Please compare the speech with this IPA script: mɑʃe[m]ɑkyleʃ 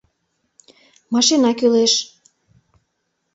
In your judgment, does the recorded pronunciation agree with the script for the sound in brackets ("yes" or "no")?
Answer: no